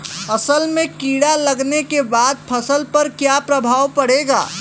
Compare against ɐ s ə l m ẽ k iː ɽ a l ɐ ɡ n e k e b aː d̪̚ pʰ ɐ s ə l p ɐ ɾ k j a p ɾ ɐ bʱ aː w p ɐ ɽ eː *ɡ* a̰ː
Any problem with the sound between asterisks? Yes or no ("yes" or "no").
no